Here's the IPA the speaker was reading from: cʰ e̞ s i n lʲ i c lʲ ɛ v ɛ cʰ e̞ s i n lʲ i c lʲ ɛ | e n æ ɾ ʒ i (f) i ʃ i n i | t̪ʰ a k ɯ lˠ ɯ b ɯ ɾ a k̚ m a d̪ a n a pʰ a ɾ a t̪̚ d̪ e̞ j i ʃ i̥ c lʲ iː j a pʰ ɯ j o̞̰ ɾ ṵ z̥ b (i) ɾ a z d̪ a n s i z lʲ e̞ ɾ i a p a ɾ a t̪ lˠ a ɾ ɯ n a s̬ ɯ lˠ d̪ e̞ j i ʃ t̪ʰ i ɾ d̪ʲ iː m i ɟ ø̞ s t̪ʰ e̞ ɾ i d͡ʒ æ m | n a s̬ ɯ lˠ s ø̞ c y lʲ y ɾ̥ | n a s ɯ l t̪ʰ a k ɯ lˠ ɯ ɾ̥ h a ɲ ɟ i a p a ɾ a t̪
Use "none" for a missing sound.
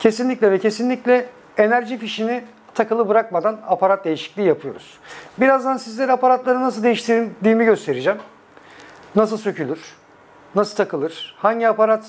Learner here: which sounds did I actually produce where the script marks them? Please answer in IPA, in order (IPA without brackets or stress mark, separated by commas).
f, i